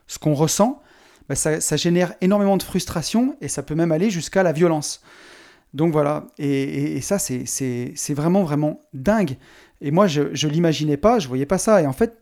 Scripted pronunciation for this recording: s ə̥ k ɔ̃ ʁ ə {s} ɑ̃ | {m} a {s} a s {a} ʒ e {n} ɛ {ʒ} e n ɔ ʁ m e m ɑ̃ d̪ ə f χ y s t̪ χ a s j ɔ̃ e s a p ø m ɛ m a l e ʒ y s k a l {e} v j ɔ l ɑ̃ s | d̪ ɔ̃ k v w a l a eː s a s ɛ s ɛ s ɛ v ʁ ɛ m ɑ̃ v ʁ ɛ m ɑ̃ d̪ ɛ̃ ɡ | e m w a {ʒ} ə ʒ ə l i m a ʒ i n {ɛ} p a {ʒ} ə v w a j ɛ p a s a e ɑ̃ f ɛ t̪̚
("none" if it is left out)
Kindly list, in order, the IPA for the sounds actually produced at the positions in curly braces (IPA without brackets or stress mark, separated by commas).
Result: s, b, s, a, n, ʁ, a, ʒ, ɛ, ʒ